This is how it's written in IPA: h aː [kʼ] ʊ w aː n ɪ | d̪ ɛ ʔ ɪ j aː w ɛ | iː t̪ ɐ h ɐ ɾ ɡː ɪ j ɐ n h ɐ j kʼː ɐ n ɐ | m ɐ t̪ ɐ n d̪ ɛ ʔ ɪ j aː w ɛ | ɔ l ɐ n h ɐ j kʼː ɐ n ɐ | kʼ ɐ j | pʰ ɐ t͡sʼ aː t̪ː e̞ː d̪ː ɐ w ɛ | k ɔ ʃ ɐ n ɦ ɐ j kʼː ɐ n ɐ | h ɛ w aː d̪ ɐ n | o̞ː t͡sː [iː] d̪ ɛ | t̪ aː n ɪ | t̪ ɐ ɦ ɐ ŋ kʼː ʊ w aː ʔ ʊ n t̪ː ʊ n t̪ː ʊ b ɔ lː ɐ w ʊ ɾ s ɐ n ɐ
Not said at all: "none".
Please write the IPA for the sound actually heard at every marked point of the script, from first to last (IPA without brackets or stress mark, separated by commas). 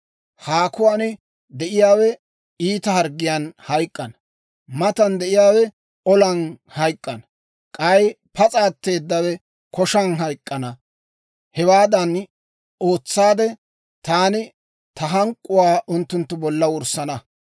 k, aː